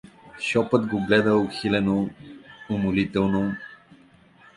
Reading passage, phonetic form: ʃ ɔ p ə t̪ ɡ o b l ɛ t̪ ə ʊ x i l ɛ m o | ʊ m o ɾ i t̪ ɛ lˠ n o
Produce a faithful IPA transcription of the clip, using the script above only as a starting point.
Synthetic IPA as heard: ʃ ɔ p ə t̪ ɡ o ɡ l ɛ d̪ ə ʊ x i l ɛ n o | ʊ m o l i t̪ ɛ lˠ n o